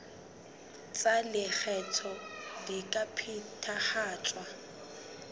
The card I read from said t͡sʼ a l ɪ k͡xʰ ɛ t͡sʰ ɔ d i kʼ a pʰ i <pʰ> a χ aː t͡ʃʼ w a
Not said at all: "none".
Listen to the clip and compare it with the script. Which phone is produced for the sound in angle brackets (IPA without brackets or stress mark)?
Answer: tʰ